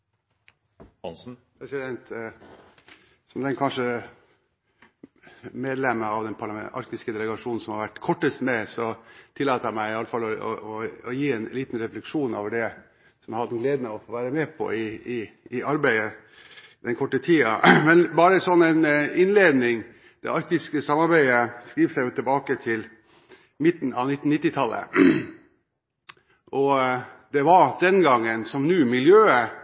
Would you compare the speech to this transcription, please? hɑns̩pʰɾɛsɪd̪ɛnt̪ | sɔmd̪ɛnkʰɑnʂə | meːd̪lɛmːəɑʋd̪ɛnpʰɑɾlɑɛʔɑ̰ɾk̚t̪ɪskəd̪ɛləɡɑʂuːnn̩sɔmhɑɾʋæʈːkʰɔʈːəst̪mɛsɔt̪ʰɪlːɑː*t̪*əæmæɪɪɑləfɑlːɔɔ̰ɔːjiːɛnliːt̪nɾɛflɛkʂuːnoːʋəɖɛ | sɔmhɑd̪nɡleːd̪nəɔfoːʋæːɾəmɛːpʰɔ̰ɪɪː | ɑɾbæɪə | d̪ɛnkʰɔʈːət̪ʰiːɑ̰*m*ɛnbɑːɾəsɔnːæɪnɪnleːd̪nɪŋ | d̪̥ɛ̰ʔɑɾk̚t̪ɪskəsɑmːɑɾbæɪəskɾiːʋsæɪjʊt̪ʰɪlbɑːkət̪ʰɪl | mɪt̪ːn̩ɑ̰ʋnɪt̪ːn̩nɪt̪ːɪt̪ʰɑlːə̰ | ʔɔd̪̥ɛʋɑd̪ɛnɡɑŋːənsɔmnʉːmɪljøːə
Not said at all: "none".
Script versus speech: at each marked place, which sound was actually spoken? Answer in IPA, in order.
t̪, m

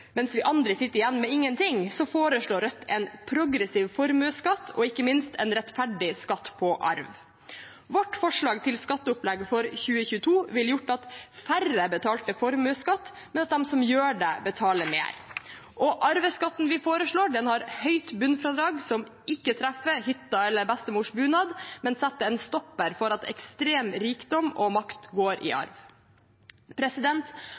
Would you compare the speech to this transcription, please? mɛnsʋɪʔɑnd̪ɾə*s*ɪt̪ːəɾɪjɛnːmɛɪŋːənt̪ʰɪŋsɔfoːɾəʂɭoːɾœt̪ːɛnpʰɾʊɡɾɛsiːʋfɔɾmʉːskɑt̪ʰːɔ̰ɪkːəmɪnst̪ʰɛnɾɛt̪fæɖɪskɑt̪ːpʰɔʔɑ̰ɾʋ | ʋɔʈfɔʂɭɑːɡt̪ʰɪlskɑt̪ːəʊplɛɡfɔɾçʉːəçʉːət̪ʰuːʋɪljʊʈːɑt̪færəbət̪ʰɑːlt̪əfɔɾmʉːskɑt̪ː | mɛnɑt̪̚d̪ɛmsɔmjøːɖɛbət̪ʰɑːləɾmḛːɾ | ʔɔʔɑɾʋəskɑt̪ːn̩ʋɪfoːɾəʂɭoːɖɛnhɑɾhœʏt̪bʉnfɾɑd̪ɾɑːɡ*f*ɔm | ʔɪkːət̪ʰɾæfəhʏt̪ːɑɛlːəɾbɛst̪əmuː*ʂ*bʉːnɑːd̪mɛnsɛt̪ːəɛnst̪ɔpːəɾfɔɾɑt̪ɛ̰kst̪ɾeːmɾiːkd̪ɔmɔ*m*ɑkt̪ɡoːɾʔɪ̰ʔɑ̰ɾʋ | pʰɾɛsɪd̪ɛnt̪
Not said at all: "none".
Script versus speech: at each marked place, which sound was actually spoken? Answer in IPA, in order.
s, s, ʂ, m

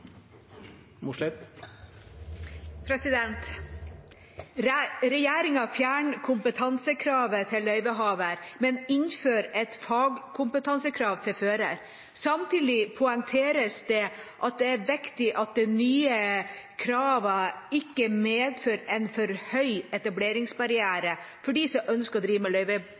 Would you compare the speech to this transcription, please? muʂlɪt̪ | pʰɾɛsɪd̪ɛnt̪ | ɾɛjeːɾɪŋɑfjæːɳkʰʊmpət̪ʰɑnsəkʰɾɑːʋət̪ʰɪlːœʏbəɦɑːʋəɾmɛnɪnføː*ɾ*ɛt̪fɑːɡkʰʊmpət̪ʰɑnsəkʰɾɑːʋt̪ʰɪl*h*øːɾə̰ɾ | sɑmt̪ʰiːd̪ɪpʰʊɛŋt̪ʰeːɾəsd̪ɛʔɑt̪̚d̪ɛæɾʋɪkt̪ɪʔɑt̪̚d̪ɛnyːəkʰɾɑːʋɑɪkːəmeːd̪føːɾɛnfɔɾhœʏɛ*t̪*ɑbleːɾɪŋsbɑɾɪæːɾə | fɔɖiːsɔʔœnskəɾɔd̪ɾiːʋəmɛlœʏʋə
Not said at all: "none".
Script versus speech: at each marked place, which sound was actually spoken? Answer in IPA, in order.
ɾ, f, t̪

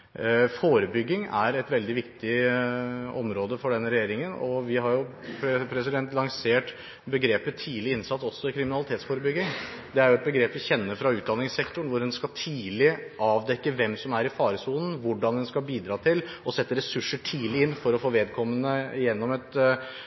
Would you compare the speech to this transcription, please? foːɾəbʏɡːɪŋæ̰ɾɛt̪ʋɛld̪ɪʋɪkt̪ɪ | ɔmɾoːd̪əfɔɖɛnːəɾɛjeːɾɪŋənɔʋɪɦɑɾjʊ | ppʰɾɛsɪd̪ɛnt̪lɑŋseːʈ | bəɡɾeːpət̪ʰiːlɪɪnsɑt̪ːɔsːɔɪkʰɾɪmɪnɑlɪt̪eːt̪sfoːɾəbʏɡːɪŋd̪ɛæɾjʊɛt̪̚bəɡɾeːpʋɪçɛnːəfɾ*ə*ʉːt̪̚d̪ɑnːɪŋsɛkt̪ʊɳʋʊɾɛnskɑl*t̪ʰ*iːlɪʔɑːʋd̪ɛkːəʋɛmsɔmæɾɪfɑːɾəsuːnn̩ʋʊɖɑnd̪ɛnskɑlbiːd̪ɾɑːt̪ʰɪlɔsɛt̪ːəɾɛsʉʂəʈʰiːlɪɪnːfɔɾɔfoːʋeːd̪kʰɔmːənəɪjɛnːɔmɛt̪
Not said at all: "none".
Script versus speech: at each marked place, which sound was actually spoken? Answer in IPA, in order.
ɑ, t̪ʰ

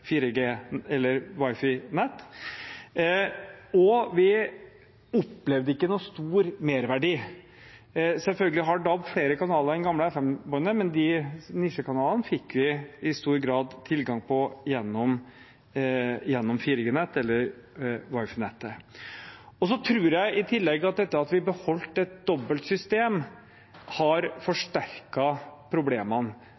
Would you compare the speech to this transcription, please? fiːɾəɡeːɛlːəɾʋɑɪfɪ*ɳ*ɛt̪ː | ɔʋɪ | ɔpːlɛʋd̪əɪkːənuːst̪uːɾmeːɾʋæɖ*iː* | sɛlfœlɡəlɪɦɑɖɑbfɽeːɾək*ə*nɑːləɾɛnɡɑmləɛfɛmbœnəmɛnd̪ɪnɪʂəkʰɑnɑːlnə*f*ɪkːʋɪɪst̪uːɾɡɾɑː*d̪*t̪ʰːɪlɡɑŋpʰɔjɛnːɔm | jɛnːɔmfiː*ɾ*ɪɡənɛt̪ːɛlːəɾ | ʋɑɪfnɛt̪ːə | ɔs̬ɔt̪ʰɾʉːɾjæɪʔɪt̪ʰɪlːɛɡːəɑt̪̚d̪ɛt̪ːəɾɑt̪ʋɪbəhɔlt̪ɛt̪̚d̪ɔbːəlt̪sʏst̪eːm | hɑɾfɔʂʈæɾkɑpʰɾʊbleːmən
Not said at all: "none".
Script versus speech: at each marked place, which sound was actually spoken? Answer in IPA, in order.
n, iː, ɑ, f, d̪, ɾ

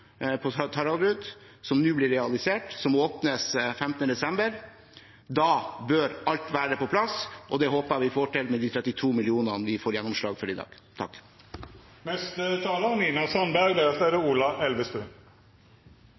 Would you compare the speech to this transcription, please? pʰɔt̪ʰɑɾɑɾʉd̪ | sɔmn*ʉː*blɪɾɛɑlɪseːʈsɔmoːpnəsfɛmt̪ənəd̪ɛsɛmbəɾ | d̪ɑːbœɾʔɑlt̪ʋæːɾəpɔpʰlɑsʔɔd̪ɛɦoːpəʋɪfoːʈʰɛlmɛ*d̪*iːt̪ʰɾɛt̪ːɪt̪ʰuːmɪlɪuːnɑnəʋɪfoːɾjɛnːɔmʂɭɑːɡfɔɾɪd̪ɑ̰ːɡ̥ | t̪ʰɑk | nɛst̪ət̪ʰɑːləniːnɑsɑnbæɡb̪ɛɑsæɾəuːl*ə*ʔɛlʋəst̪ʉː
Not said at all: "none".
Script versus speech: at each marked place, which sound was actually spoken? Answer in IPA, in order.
ʉː, d̪, ɑ

